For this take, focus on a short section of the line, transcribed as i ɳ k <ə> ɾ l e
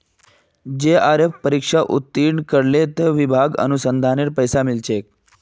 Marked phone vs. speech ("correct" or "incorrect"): correct